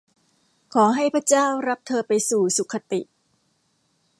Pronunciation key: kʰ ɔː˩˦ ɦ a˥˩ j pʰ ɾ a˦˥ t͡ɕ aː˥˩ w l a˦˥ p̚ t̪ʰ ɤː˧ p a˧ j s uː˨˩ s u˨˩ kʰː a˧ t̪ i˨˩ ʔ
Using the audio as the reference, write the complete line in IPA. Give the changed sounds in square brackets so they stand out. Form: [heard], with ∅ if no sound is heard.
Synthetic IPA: kʰ ɔː˩˦ ɦ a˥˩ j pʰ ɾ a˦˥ t͡ɕ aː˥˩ w [ɾ] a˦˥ p̚ t̪ʰ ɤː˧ p a˧ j s uː˨˩ s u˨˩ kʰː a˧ t̪ i˨˩ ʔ